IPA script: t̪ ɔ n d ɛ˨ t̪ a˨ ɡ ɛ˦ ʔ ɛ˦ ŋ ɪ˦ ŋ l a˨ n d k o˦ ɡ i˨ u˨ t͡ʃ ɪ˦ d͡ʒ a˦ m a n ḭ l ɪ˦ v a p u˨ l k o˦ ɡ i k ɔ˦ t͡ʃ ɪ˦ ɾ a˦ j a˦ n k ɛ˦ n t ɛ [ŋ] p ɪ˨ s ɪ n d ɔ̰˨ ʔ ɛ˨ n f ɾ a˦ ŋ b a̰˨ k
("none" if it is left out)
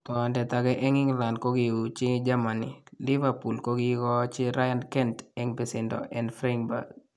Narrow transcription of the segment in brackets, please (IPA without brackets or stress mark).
ŋ